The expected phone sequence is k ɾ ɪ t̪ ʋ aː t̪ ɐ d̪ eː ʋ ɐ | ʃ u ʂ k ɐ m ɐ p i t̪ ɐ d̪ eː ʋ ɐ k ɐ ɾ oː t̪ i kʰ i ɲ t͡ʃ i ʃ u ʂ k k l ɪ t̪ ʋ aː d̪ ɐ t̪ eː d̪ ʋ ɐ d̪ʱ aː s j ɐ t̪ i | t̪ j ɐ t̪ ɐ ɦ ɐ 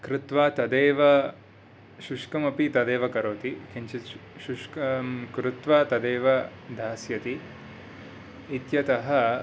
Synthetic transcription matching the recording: k ɾ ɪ t̪ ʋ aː t̪ ɐ d̪ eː ʋ ɐ | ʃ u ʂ k ɐ m ɐ p i t̪ ɐ d̪ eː ʋ ɐ k ɐ ɾ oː t̪ i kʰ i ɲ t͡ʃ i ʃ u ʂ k k ɾ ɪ t̪ ʋ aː t̪ ɐ d̪ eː ʋ ɐ d̪ʱ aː s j ɐ t̪ i | t̪ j ɐ t̪ ɐ ɦ ɐ